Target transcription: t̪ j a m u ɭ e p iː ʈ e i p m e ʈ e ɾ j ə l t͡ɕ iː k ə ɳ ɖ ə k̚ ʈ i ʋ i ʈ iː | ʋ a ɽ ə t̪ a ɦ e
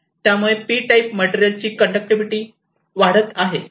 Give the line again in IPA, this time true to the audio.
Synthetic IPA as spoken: t̪ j a m u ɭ e p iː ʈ a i p m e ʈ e ɾ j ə l t͡ɕ iː k ə ɳ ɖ ə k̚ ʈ i ʋ i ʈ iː | ʋ a ɽ ə t̪ a ɦ e